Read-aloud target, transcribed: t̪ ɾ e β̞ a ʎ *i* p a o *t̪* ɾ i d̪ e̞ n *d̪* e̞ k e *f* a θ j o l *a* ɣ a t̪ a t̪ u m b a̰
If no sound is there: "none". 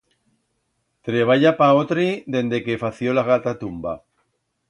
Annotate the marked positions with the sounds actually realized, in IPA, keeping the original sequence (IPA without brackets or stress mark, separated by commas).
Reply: a, t̪, d̪, f, a